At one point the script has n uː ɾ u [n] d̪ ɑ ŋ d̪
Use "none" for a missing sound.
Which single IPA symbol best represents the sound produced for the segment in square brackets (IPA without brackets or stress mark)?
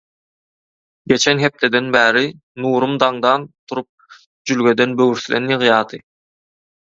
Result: m